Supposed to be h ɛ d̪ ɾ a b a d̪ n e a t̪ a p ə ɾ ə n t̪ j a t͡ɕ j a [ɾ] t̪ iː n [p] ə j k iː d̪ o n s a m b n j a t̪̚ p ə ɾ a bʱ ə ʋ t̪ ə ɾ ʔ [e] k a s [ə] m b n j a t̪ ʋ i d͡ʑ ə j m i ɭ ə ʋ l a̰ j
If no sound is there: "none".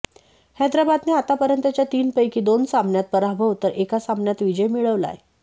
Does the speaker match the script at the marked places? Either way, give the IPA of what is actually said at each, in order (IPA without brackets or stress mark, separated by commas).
none, p, e, a